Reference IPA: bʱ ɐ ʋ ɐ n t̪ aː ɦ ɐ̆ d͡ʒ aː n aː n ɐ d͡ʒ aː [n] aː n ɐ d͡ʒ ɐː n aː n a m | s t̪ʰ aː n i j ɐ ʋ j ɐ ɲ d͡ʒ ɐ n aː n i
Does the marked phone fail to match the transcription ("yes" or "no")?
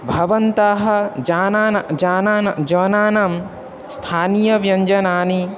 no